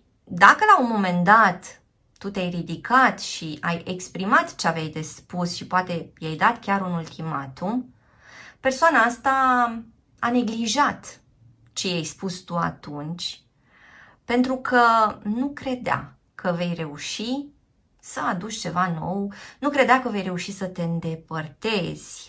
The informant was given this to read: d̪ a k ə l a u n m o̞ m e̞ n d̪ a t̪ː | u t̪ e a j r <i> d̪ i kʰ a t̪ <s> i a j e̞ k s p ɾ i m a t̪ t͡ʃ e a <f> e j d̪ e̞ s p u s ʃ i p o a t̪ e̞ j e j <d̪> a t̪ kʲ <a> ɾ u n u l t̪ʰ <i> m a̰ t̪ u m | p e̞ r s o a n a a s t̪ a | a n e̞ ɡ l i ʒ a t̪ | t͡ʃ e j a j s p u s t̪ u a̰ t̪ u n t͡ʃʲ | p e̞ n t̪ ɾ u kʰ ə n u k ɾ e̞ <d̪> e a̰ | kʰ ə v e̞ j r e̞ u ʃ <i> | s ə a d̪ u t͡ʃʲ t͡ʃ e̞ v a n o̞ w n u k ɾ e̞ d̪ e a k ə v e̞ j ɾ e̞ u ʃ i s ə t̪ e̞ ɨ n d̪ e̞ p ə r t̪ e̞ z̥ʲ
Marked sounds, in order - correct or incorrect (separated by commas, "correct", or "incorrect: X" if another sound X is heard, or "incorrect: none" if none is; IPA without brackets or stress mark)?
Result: correct, incorrect: ʃ, incorrect: v, correct, correct, correct, correct, correct